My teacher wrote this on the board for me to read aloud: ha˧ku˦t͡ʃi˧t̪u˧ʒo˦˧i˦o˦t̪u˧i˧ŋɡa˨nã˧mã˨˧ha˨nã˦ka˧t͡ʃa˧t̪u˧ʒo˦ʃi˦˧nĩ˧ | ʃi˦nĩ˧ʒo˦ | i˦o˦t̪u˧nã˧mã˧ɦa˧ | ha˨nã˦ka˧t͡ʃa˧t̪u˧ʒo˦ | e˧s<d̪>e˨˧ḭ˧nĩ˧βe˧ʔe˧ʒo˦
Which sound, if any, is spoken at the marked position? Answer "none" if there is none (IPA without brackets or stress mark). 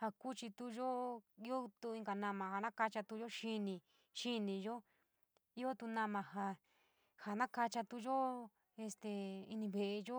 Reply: t̪